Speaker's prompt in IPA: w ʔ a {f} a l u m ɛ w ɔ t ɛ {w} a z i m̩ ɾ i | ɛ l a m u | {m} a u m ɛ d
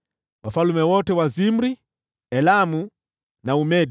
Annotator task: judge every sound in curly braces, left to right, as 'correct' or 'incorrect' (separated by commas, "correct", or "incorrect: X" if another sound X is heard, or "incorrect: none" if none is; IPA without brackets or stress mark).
correct, correct, incorrect: n